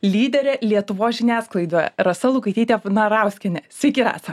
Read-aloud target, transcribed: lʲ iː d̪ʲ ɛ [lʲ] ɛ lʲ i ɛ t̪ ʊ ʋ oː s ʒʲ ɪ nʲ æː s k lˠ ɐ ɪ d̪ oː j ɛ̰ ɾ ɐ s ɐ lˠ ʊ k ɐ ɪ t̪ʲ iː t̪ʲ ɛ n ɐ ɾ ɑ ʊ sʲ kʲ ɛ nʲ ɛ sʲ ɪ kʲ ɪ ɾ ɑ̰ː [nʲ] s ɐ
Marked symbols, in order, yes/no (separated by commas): no, no